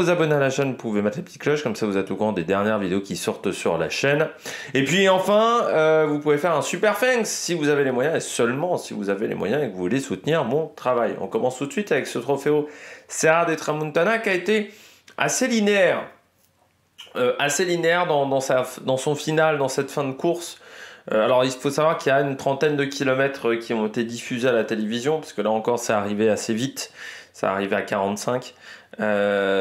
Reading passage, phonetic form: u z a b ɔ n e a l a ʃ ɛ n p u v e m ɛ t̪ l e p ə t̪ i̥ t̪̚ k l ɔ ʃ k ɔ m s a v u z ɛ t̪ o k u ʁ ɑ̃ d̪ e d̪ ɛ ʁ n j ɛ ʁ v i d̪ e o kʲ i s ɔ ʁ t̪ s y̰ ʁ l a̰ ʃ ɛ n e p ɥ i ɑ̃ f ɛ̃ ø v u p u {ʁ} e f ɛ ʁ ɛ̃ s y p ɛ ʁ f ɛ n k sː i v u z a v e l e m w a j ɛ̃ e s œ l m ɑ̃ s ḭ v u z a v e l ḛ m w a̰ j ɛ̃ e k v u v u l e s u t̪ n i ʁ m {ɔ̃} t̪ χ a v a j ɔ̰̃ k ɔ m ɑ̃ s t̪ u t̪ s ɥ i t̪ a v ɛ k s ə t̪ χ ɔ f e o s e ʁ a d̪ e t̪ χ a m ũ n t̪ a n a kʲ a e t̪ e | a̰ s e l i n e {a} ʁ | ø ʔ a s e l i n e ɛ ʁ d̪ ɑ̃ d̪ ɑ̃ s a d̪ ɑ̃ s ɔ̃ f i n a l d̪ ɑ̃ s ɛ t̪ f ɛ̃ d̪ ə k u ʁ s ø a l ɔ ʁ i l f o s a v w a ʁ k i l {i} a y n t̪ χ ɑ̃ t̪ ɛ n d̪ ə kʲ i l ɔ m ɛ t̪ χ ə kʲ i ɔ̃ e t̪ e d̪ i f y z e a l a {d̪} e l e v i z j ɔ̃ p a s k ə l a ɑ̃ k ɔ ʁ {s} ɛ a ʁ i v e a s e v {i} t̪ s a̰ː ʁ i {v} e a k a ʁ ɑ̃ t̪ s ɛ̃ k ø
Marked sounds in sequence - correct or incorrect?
incorrect: v, correct, incorrect: ɛ, incorrect: j, incorrect: t̪, correct, correct, correct

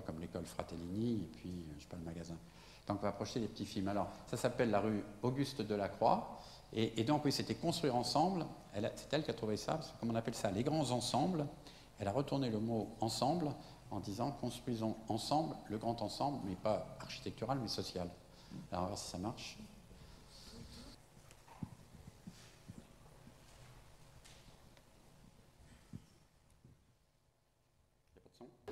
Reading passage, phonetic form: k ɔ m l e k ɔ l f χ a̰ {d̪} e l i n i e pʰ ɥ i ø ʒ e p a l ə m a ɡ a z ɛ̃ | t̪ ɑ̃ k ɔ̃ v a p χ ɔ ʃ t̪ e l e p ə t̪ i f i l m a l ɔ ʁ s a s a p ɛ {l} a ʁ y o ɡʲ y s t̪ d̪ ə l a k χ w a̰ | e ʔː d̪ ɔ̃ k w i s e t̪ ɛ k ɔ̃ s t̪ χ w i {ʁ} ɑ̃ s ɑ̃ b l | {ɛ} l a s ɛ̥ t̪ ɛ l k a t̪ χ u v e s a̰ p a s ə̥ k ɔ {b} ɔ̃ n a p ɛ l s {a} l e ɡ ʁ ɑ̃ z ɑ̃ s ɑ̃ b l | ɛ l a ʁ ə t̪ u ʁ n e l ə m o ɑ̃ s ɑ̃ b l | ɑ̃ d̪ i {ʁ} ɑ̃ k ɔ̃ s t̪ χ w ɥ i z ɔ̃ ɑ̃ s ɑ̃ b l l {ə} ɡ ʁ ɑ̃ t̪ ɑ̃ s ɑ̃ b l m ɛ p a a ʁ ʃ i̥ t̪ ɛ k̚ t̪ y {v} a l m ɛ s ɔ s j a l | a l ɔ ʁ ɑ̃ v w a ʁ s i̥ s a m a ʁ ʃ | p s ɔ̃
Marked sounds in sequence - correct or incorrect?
incorrect: t̪, incorrect: lː, correct, correct, incorrect: m, correct, incorrect: z, correct, incorrect: ʁ

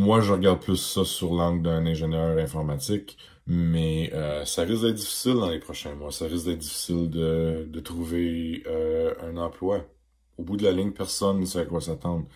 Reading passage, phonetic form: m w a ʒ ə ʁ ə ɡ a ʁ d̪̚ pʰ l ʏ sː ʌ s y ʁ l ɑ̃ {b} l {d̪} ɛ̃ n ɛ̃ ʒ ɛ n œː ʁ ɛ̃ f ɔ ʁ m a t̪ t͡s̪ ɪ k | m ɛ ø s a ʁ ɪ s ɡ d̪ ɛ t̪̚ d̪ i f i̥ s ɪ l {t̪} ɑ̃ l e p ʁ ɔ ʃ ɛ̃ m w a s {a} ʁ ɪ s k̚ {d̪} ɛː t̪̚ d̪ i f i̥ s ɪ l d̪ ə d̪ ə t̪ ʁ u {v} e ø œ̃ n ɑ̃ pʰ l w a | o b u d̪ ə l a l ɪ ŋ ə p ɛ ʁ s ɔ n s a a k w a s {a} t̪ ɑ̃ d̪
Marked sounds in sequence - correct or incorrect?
incorrect: ɡ, correct, incorrect: d̪, correct, correct, correct, correct

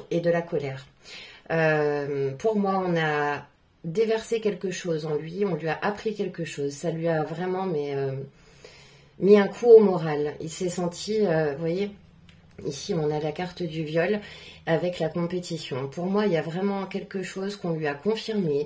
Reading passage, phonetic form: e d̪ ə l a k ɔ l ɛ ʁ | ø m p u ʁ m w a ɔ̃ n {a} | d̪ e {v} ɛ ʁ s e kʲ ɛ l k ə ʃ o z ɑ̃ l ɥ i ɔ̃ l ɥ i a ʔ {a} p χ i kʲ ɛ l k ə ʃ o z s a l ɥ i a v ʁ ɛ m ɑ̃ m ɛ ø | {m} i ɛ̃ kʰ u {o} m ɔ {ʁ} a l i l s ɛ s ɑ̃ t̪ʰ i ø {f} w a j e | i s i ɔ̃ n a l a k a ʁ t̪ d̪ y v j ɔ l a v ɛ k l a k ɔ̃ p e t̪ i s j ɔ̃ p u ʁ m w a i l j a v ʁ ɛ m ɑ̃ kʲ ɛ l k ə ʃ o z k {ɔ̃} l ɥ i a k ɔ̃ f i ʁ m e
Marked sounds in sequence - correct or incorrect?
correct, correct, correct, correct, correct, correct, incorrect: v, correct

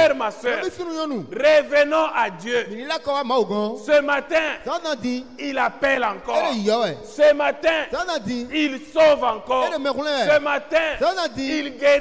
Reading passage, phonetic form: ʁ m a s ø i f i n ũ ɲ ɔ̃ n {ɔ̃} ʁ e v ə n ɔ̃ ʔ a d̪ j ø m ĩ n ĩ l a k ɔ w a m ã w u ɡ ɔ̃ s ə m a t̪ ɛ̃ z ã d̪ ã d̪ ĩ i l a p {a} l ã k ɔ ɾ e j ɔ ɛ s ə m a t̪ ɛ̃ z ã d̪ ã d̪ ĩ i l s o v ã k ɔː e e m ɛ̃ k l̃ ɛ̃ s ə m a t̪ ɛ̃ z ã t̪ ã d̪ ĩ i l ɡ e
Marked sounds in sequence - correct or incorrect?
incorrect: ũ, incorrect: ɛ

